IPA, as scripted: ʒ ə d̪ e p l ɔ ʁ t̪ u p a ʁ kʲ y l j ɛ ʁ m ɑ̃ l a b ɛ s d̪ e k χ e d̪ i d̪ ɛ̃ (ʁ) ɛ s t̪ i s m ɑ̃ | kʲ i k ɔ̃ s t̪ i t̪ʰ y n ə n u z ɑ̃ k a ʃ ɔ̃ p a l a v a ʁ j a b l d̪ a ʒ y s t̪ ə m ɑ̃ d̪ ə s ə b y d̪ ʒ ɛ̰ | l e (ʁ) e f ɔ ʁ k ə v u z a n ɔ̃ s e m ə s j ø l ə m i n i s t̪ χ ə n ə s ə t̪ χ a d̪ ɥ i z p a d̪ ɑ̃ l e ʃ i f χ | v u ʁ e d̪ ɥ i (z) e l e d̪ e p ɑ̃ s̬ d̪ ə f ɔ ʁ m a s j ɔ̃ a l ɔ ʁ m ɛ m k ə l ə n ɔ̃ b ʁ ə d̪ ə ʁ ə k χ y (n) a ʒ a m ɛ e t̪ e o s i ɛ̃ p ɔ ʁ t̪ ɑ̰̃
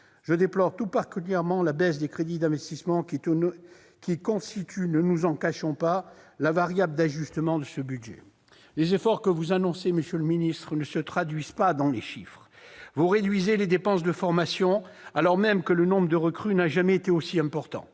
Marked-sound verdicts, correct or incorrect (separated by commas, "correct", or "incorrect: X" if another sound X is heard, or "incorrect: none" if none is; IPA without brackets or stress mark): incorrect: v, incorrect: z, correct, correct